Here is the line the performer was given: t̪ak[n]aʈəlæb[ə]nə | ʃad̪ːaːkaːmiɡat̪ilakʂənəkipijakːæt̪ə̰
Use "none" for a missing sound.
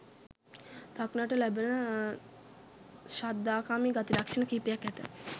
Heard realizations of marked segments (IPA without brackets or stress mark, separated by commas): n, ə